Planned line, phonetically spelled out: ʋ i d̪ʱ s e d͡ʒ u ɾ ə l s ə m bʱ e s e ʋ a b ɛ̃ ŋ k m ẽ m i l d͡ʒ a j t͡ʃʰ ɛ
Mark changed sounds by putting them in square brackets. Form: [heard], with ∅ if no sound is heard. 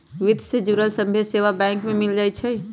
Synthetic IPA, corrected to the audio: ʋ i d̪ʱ s e d͡ʒ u ɾ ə l s ə m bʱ e s e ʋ a b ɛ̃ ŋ k m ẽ m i l d͡ʒ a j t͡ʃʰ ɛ